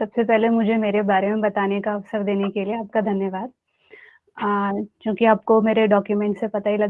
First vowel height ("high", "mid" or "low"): low